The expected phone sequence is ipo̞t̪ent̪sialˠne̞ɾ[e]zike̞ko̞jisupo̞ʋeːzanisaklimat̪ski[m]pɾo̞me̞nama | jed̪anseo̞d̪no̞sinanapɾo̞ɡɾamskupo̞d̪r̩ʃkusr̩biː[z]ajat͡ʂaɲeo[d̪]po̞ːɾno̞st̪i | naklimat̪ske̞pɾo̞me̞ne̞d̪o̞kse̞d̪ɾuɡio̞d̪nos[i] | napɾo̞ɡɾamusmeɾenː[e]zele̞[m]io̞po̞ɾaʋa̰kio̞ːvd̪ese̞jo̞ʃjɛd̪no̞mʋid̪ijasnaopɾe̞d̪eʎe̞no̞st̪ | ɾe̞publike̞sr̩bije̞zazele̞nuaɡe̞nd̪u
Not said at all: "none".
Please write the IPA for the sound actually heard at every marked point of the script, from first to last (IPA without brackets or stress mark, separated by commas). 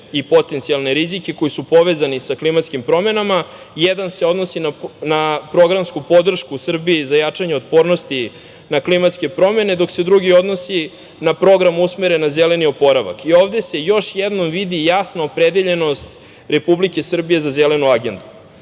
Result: i, m, z, t̪, i, a, n